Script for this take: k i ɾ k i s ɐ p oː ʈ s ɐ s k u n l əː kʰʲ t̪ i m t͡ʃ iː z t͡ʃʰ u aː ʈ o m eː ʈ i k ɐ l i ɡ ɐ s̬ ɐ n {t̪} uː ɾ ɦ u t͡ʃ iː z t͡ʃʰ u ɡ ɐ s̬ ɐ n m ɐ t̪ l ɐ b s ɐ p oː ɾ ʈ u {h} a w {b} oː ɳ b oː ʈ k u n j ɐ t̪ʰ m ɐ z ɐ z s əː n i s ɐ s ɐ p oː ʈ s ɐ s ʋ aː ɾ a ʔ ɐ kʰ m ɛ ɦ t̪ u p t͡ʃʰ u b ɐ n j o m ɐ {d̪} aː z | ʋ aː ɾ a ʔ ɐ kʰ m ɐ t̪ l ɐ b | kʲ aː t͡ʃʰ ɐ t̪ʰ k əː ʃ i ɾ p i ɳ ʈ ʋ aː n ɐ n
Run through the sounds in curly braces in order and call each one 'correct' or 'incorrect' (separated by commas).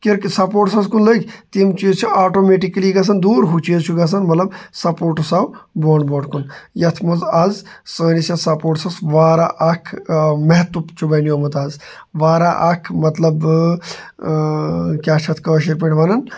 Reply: incorrect, incorrect, correct, incorrect